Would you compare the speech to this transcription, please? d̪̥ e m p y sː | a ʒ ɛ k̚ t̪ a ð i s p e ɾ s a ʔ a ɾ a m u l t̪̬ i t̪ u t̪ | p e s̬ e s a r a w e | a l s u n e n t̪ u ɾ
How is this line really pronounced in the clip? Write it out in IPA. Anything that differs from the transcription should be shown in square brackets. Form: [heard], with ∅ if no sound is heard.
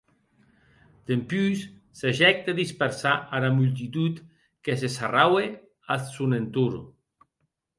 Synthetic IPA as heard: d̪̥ e m p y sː | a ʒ ɛ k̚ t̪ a ð i s p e ɾ s a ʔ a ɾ a m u l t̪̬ i t̪ u t̪ | [k] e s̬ e s a r a w e | a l s u n e n t̪ u ɾ